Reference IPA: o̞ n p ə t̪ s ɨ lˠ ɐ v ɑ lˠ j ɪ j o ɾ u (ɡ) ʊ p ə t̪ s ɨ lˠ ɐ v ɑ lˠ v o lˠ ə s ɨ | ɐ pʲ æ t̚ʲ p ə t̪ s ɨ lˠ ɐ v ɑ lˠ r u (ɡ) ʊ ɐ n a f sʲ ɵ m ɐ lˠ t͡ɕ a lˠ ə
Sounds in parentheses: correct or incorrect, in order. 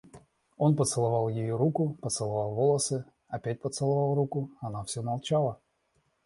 incorrect: k, incorrect: k

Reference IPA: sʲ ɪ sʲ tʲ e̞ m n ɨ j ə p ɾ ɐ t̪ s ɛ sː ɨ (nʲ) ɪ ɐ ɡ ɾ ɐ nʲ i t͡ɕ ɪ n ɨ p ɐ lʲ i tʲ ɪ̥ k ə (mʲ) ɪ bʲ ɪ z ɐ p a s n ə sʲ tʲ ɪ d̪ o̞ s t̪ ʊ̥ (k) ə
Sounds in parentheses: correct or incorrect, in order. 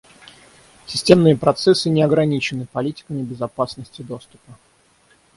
correct, correct, incorrect: p

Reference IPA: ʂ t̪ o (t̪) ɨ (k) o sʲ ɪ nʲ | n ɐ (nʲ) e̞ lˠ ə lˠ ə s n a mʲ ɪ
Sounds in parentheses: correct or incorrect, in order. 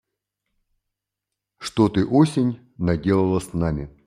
correct, incorrect: ʔ, incorrect: dʲ

